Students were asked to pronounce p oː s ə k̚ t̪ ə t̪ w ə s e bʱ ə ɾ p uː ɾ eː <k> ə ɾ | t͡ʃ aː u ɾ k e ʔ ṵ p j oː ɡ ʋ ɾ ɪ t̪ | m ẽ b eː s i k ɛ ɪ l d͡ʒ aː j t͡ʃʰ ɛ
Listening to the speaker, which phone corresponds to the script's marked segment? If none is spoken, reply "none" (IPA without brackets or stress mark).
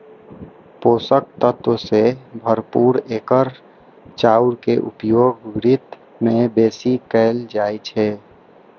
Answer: k